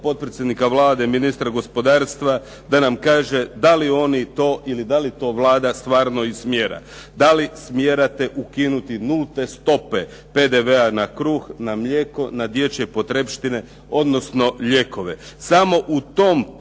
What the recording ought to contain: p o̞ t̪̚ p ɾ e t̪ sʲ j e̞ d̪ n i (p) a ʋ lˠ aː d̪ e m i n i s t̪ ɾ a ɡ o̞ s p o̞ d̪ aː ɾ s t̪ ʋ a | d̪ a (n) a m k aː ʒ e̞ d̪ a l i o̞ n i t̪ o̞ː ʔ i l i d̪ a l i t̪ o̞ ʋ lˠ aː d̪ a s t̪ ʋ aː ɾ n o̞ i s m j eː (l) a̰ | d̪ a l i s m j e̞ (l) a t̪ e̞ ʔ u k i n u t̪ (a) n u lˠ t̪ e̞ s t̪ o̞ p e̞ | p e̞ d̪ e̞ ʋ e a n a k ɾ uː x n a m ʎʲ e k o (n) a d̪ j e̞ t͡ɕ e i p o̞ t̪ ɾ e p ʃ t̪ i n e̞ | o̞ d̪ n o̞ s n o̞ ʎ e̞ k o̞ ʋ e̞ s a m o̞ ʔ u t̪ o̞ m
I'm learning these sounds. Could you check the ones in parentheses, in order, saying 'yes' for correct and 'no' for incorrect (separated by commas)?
no, yes, no, no, no, yes